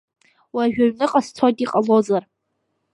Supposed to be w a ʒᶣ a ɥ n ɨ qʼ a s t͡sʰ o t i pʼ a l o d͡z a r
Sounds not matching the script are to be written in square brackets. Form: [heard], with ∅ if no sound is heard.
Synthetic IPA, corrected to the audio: w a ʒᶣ a ɥ n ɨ qʼ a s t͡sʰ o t i [qʼ] a l o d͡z a r